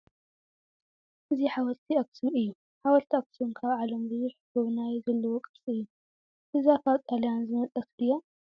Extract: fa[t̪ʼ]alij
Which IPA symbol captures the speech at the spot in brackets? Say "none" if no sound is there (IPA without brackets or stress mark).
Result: t̪ʼ